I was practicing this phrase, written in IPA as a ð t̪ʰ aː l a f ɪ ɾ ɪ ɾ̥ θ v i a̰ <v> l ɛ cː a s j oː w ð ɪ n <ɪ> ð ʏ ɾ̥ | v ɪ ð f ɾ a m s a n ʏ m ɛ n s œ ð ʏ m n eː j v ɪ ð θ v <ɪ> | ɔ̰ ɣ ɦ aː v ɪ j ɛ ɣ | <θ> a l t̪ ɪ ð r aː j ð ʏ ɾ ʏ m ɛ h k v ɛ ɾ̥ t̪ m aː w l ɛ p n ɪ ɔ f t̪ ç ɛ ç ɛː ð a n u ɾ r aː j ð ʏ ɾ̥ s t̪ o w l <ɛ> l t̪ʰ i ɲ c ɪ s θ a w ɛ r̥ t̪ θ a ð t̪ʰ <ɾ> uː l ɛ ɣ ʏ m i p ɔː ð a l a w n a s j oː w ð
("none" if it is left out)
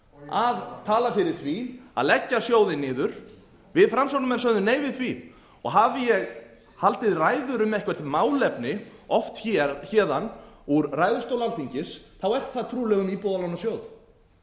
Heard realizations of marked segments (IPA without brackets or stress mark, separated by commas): ð, ɪː, i, h, a, ɾ